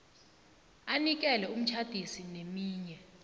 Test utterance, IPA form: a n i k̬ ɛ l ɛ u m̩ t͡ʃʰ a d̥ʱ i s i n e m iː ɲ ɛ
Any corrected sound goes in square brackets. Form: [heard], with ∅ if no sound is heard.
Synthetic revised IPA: a n i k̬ ɛ l ɛ u m̩ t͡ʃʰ a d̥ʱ i s i n e m iː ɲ ɛ